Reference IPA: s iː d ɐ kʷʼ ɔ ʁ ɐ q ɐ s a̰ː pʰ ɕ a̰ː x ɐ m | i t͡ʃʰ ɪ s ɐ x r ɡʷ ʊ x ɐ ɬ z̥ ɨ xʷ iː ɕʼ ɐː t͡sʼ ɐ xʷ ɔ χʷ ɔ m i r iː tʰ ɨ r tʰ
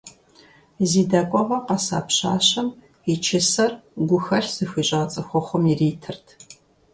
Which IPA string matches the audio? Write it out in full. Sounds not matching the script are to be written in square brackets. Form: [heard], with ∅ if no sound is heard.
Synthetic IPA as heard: [z] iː d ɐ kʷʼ ɔ ʁ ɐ q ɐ s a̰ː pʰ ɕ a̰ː [ɕ] ɐ m | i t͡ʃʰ ɪ s ɐ [∅] r ɡʷ ʊ x ɐ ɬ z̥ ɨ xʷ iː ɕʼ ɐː t͡sʼ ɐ xʷ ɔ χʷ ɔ m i r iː tʰ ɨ r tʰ